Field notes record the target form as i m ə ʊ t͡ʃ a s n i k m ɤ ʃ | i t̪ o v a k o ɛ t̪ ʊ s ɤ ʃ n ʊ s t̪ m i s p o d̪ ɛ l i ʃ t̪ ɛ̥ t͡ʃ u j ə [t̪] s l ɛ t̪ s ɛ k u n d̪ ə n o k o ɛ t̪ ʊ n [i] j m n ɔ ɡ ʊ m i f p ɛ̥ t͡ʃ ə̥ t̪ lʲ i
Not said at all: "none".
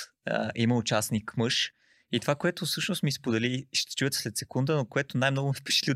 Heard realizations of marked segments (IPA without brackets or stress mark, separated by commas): t̪, a